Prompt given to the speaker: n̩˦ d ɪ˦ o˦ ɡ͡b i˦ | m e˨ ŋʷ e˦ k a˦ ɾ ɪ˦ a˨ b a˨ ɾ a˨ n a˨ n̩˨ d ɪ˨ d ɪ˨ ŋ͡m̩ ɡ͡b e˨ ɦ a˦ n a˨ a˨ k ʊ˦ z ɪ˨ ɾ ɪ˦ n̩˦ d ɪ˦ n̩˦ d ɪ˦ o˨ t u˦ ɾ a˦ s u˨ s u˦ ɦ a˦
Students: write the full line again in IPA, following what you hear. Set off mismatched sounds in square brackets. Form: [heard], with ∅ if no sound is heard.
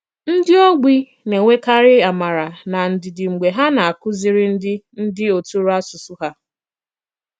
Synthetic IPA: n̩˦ d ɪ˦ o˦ ɡ͡b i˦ | [n] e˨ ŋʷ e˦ k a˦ ɾ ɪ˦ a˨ [m] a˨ ɾ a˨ n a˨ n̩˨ d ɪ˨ d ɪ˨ ŋ͡m̩ ɡ͡b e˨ ɦ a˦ n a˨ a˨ k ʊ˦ z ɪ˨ ɾ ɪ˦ n̩˦ d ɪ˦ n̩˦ d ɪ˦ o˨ t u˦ ɾ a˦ s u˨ s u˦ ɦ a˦